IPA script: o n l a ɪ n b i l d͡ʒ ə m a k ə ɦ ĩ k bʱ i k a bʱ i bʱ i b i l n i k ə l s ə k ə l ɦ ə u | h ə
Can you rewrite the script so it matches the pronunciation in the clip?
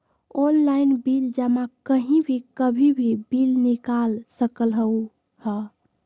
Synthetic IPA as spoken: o n l a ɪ n b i l d͡ʒ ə m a k ə ɦ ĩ bʱ i k ə bʱ i bʱ i b i l n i k a l s ə k ə l ɦ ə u | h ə